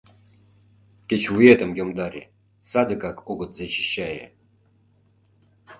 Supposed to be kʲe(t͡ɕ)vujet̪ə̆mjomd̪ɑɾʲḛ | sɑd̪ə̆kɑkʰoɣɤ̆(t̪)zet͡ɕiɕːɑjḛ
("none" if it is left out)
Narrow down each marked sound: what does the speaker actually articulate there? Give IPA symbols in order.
t͡ɕ, t̪

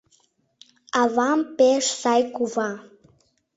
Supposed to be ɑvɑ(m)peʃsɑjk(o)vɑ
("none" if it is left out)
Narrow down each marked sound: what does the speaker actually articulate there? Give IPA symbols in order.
m, u

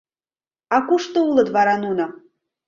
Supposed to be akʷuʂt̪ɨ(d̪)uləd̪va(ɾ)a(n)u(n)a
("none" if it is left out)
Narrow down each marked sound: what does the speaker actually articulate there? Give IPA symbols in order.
none, ɾ, n, n

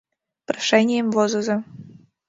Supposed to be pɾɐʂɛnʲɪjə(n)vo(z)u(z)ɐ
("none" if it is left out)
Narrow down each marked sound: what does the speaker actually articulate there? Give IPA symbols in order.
m, z, z

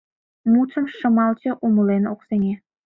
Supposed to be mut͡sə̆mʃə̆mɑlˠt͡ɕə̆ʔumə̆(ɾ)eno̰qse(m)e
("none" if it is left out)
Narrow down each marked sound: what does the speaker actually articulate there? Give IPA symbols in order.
l, ŋ

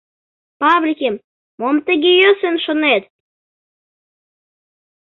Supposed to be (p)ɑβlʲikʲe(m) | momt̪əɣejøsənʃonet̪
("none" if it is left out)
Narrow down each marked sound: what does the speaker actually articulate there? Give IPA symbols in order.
p, m

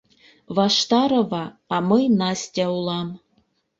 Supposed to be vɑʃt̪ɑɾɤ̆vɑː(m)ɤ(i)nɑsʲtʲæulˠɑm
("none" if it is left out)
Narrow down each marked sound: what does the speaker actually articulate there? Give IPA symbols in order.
m, j

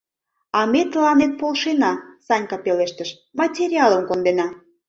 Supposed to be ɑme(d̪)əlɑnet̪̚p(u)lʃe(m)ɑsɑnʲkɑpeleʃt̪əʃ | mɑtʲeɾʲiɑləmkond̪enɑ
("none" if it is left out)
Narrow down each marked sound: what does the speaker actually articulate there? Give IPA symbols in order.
t̪, o, n

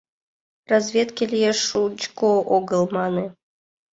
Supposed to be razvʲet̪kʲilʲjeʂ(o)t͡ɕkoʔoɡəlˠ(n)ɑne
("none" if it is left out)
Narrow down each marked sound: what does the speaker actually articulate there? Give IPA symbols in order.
u, m

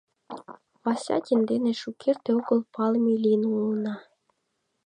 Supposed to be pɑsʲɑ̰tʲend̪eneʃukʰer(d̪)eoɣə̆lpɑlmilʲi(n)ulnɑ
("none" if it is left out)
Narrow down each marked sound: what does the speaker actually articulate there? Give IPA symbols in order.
t̪, n

